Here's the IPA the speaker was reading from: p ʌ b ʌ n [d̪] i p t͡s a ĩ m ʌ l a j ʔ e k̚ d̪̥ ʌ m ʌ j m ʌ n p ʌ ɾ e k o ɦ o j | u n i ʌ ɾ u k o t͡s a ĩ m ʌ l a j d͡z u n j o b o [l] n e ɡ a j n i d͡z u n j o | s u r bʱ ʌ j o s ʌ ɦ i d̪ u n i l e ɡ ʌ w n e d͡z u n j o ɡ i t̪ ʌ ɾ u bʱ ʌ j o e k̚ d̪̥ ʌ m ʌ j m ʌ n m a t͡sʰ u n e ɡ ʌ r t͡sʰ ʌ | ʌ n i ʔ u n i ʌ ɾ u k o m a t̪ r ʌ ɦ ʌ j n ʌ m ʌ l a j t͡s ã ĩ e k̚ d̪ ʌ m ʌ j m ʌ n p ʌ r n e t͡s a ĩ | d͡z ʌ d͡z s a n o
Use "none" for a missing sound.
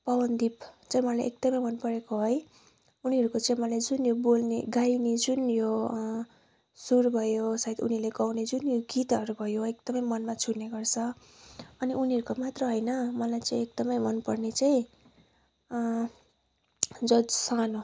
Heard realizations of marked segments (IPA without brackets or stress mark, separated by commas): d̪, l